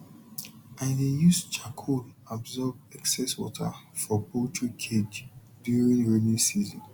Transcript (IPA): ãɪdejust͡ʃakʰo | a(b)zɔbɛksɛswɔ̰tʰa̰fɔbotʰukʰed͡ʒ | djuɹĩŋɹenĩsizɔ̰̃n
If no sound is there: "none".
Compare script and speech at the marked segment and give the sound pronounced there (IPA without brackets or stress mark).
b